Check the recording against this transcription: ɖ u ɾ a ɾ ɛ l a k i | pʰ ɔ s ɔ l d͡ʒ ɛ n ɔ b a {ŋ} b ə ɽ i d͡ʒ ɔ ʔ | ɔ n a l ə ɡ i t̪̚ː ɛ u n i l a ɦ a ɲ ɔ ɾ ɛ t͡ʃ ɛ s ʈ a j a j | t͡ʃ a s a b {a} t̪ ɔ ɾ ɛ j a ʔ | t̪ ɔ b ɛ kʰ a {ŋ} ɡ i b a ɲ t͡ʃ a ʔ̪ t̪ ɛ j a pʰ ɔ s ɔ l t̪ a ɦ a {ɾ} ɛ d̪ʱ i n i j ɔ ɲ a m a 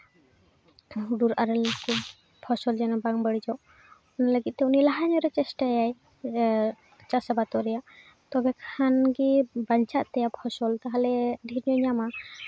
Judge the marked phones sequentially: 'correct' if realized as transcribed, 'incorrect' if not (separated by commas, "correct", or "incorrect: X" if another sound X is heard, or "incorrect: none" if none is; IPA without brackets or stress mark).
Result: correct, correct, incorrect: n, incorrect: l